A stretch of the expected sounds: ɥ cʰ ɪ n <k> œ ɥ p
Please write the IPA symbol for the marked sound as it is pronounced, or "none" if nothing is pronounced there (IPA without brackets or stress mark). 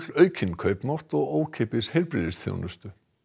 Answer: kʰ